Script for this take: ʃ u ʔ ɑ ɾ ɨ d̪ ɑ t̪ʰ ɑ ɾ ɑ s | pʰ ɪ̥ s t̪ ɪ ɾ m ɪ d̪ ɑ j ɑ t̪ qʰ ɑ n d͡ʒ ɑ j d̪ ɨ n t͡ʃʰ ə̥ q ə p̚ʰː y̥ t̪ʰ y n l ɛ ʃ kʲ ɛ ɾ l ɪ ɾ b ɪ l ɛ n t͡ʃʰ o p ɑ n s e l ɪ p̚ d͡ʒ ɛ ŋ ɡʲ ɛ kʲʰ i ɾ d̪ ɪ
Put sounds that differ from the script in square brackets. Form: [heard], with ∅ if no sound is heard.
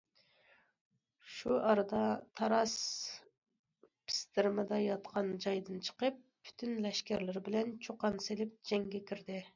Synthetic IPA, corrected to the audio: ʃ u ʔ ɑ ɾ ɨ d̪ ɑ t̪ʰ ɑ ɾ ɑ s | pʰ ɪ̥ s t̪ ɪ ɾ m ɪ d̪ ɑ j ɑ t̪ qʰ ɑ n d͡ʒ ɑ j d̪ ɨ n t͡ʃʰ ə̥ q ə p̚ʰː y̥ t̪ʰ y n l ɛ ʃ kʲ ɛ ɾ l ɪ ɾ b ɪ l ɛ n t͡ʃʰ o [q] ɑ n s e l ɪ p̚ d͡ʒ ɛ ŋ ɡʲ ɛ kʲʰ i ɾ d̪ ɪ